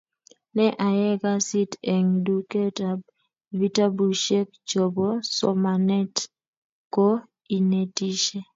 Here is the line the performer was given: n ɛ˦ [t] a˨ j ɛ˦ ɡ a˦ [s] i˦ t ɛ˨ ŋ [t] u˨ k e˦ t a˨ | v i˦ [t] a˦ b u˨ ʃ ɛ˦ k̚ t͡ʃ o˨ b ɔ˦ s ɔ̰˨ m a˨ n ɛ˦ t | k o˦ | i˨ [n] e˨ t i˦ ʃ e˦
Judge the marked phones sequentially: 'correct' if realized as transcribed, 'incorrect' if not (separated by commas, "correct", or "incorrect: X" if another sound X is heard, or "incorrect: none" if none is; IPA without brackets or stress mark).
incorrect: ʔ, correct, incorrect: d, correct, correct